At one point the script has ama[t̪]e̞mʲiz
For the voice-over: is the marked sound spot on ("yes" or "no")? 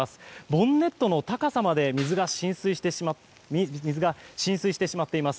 no